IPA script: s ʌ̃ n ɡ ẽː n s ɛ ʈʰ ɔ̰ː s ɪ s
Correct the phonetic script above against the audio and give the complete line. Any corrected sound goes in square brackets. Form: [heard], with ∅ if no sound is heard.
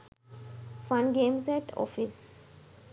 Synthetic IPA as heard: [f] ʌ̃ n ɡ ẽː [m] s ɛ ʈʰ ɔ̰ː [f] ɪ s

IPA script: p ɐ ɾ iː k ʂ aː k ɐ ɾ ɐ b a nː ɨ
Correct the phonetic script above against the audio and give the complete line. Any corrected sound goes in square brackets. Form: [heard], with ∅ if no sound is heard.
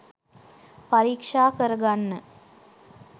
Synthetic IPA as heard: p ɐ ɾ iː k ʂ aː k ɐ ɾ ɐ [ɡ] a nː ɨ

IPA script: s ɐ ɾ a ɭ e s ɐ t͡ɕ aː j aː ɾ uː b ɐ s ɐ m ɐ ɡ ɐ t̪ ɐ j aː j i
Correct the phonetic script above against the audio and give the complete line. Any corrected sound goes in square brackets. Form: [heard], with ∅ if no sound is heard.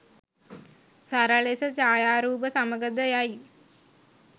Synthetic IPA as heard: s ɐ ɾ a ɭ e s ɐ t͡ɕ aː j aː ɾ uː b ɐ s ɐ m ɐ ɡ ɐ [d̪] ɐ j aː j i

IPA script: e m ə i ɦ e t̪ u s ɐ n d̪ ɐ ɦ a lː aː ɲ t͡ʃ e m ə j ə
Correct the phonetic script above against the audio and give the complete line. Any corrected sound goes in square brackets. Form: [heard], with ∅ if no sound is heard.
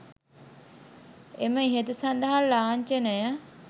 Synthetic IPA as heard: e m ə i ɦ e t̪ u s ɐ n d̪ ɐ ɦ a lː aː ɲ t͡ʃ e [n] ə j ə

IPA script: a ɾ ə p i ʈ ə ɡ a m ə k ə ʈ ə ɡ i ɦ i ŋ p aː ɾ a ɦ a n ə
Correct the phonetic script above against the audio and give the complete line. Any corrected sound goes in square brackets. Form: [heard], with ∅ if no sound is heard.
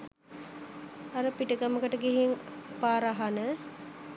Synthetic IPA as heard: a ɾ ə p i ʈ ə ɡ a m ə k ə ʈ ə ɡ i ɦ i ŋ p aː ɾ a ɦ a n ə

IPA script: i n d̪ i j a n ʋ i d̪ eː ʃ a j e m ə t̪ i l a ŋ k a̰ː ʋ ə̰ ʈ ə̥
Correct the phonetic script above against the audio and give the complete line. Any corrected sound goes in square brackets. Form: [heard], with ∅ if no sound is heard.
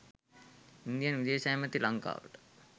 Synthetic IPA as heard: i n d̪ i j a n ʋ i d̪ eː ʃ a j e m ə t̪ i l a ŋ k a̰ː ʋ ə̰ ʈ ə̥

